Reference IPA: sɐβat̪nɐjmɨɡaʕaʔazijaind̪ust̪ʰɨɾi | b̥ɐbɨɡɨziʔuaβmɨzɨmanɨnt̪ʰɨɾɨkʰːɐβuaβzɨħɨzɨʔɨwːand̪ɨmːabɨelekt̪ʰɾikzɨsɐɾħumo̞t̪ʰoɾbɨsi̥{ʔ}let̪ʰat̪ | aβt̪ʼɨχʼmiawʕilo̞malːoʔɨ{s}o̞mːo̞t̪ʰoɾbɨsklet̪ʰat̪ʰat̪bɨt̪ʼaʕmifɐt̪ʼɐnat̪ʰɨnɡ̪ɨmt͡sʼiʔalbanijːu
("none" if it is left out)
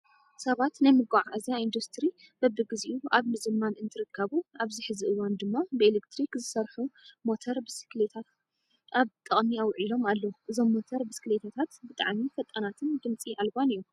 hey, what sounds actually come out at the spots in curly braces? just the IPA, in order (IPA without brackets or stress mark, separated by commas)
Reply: k, z